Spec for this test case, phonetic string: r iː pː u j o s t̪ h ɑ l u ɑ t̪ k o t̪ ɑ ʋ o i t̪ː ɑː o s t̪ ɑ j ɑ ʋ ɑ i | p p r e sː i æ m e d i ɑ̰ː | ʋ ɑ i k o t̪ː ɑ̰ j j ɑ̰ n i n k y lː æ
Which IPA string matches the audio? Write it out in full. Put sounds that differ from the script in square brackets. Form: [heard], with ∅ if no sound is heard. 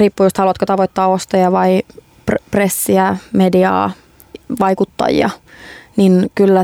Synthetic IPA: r iː pː u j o s t̪ h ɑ l u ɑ t̪ k o t̪ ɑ ʋ o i t̪ː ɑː o s t̪ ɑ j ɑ ʋ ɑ i | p p r e sː i æ m e d i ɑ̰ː | ʋ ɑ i k [u] t̪ː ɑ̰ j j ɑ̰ n i n k y lː æ